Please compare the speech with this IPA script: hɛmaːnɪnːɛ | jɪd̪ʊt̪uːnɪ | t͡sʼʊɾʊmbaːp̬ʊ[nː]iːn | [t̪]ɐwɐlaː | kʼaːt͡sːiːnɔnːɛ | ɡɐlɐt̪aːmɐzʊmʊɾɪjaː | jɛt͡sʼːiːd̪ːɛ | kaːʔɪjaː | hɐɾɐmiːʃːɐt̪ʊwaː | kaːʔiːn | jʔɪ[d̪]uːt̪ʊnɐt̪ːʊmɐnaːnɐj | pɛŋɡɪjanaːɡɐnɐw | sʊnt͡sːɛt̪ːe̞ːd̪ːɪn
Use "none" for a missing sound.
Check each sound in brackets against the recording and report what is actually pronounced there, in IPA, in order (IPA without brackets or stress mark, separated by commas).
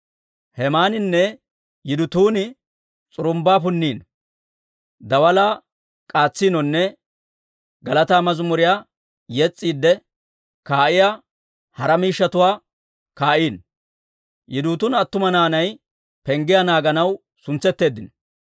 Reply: nː, d̪, d̪